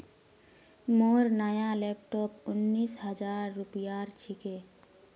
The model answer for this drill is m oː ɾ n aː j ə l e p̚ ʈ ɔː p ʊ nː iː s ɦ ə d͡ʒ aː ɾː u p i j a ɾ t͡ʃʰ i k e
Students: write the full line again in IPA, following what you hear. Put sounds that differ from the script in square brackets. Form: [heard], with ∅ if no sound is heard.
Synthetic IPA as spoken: m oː ɾ n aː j [a] l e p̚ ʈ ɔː p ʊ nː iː s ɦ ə d͡ʒ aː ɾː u p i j a ɾ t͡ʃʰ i k e